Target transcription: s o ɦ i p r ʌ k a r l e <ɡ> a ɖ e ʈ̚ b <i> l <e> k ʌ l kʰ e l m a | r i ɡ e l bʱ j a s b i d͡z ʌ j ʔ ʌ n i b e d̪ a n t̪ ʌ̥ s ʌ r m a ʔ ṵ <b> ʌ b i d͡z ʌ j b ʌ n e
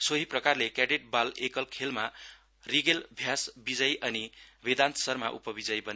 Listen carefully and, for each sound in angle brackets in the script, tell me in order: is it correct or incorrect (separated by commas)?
incorrect, incorrect, correct, incorrect